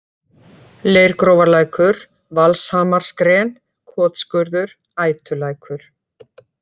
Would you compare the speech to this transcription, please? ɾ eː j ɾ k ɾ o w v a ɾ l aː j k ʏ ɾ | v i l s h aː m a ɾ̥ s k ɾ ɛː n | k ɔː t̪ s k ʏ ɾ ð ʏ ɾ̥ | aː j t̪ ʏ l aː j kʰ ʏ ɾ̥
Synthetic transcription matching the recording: l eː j ɾ k ɾ o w v a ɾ l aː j k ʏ ɾ | v a l s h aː m a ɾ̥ s k ɾ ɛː n | kʰ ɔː t̪ s k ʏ ɾ ð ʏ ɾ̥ | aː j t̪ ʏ l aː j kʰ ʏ ɾ̥